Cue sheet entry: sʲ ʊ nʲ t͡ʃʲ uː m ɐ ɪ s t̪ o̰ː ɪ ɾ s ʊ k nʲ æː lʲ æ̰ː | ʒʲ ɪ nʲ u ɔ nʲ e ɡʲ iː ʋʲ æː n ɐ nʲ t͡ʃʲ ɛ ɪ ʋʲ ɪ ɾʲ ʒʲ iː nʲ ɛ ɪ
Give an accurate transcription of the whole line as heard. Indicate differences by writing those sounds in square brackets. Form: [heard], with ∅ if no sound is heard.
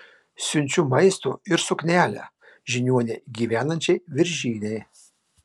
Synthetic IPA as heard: sʲ ʊ nʲ t͡ʃʲ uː m ɐ ɪ s t̪ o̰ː ɪ ɾ s ʊ k nʲ æː lʲ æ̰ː | ʒʲ ɪ nʲ u ɔ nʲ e ɡʲ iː ʋʲ æː n ɐ nʲ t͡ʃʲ ɛ ɪ ʋʲ ɪ ɾʲ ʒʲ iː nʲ ɛ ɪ